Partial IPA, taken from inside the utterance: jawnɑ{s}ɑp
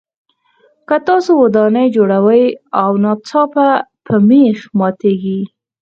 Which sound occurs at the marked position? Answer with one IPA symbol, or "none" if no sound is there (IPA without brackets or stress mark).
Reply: t͡s